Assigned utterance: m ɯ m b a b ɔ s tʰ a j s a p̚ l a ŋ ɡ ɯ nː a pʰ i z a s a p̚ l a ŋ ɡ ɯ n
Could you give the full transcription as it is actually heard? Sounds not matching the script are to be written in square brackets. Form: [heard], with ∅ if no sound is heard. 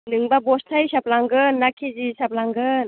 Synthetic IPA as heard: [n] ɯ [ŋ] b a b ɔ s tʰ a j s a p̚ l a ŋ ɡ ɯ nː a [kʰ] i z [i] s a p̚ l a ŋ ɡ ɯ n